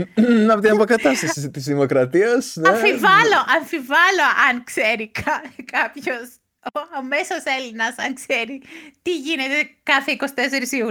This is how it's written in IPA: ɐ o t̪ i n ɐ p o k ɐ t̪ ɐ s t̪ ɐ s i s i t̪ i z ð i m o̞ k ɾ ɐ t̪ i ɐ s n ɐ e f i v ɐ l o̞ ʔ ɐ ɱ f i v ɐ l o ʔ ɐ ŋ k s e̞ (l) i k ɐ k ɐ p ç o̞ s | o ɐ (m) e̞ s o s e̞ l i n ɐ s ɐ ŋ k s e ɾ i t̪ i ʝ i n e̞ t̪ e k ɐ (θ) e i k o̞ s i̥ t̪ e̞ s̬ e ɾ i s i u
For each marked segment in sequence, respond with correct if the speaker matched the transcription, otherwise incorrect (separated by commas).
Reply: incorrect, correct, correct